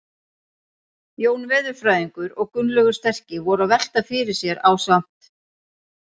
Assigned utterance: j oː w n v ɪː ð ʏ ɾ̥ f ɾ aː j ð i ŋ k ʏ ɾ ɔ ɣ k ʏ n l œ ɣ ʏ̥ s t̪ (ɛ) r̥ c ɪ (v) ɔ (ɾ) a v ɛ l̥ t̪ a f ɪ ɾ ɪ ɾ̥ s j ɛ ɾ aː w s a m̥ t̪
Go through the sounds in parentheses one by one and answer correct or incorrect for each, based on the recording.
correct, correct, correct

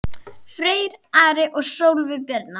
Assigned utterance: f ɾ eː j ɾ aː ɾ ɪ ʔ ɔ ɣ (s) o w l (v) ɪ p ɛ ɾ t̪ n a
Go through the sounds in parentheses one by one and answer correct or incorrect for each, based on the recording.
correct, correct

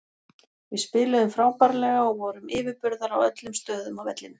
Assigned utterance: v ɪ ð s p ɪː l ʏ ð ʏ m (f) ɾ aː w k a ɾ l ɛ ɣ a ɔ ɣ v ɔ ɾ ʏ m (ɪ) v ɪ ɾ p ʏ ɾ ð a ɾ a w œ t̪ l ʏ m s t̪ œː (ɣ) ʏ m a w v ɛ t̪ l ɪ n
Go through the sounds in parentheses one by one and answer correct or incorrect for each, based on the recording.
correct, incorrect, incorrect

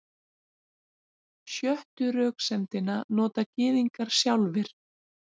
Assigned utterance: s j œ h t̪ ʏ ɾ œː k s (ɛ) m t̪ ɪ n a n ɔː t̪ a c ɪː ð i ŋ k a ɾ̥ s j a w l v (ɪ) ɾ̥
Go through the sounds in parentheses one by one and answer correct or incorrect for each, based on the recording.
correct, correct

